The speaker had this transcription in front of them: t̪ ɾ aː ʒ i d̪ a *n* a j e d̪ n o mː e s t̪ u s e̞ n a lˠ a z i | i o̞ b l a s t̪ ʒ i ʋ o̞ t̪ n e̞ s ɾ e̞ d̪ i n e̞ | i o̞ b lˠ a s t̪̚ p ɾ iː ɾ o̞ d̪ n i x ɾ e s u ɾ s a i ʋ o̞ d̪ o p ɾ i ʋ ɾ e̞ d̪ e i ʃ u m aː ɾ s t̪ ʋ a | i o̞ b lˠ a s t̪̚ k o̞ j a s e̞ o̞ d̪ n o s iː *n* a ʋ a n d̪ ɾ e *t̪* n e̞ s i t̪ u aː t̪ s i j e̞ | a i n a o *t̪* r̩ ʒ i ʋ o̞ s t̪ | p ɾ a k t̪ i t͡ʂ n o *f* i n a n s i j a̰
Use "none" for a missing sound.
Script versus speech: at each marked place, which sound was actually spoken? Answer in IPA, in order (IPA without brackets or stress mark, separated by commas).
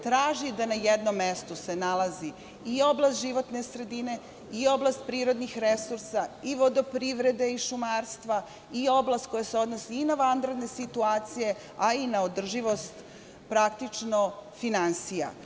n, n, d̪, d̪, f